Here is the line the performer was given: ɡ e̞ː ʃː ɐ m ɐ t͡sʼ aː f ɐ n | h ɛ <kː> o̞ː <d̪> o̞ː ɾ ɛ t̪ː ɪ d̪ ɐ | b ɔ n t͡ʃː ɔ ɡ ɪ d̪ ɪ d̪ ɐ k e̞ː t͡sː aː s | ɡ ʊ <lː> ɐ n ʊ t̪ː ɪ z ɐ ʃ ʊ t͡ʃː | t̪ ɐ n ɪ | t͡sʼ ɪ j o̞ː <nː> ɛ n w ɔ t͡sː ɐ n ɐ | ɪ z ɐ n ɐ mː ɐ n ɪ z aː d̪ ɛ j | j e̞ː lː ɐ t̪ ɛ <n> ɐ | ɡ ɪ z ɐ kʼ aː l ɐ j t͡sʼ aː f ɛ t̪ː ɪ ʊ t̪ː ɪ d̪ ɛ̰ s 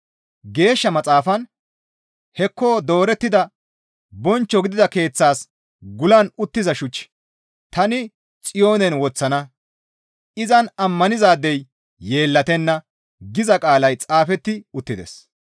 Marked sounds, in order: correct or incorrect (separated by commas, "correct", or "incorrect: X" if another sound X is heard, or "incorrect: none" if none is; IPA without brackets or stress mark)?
correct, correct, incorrect: l, incorrect: n, incorrect: nː